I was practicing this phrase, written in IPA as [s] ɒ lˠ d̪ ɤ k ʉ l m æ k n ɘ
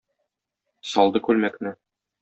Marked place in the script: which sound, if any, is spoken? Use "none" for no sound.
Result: s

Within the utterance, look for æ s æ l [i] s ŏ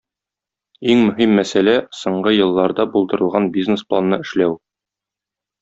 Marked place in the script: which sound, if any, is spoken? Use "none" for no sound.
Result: æ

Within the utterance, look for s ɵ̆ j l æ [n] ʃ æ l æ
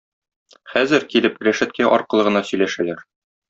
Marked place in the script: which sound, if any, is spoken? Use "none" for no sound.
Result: none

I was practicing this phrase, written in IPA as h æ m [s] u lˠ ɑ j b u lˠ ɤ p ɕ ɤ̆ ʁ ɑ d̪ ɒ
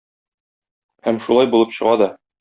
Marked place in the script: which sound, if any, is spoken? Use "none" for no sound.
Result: ʃ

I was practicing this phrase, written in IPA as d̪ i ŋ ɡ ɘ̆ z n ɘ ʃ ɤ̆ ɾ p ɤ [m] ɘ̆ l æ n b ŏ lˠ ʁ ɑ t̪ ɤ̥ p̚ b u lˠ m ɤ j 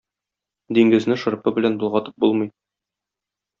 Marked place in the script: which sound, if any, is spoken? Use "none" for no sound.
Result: b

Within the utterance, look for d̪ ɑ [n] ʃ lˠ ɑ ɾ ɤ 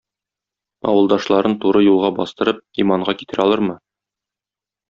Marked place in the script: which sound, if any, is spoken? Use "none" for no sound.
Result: none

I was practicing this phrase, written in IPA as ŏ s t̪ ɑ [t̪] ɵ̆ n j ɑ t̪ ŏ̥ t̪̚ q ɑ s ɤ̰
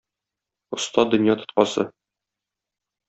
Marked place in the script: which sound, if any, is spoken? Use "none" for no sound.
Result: d̪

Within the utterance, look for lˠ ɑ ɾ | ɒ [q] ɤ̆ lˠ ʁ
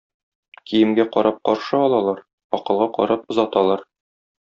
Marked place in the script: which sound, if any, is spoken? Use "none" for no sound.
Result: q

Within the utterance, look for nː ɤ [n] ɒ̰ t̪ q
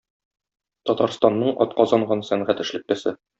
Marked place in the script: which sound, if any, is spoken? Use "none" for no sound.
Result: ɴ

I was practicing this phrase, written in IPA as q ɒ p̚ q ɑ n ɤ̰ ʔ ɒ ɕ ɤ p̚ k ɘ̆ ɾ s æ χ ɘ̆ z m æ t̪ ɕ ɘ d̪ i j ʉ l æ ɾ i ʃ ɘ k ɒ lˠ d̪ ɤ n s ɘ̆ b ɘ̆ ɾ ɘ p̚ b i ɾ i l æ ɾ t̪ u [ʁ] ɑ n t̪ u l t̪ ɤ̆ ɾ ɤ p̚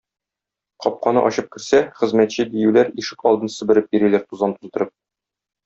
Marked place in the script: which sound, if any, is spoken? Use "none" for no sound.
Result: z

